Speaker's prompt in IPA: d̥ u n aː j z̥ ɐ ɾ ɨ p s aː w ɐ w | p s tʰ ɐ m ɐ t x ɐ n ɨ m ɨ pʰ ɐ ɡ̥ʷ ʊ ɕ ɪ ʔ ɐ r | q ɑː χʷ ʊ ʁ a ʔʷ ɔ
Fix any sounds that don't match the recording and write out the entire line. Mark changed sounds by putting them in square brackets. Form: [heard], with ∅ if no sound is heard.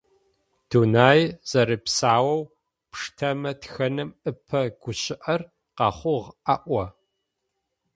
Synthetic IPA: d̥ u n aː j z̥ ɐ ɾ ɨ p s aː w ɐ w | p [ʂ] tʰ ɐ m ɐ t x ɐ n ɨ m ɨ pʰ ɐ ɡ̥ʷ ʊ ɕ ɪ ʔ ɐ r | q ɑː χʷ ʊ ʁ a ʔʷ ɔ

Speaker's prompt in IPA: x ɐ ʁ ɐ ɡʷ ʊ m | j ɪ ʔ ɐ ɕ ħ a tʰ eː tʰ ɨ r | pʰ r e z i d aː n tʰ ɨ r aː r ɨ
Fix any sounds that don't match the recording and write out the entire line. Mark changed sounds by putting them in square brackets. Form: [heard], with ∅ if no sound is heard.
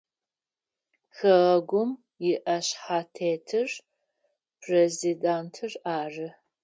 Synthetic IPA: x ɐ ʁ ɐ ɡʷ ʊ m | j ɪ ʔ ɐ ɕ ħ a tʰ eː tʰ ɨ r | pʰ r e z i d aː n tʰ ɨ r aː r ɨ

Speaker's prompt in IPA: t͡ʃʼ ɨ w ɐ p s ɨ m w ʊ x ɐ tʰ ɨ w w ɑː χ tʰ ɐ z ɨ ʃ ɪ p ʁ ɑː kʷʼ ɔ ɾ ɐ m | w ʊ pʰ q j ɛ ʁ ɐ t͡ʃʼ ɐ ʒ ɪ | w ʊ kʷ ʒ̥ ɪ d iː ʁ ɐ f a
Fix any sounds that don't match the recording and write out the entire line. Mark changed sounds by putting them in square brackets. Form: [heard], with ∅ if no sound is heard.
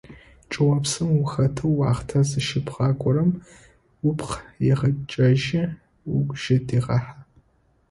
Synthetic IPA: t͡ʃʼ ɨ w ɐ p s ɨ m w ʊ x ɐ tʰ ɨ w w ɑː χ tʰ ɐ z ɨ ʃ ɪ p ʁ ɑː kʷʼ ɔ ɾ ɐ m | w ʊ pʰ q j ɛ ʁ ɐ t͡ʃʼ ɐ ʒ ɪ | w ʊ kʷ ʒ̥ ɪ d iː ʁ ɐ [ħ] a

